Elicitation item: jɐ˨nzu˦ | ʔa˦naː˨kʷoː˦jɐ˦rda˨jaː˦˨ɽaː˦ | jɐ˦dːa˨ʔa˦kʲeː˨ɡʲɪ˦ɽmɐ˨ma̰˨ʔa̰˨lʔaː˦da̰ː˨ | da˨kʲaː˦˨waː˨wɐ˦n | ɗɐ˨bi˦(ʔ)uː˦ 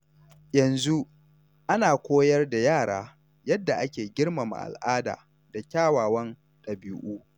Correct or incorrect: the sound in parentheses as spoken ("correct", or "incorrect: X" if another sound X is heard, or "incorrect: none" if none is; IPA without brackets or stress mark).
correct